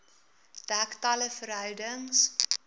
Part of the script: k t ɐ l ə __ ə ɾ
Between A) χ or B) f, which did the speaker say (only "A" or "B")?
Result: B